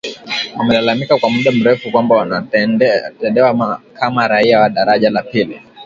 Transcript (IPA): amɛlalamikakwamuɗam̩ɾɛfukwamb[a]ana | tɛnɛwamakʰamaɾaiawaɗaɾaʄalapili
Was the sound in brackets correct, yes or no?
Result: yes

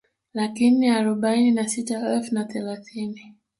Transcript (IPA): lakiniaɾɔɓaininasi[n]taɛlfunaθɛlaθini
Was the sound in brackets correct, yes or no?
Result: no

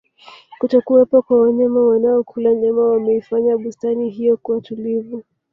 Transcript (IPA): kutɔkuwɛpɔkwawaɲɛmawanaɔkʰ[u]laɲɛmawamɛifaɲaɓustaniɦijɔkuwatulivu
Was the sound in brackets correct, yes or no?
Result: yes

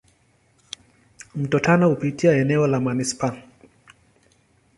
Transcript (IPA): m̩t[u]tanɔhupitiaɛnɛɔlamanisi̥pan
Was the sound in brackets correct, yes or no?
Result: no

